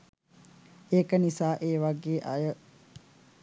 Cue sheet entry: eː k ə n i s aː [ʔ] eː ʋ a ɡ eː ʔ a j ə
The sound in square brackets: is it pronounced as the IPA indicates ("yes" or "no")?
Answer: yes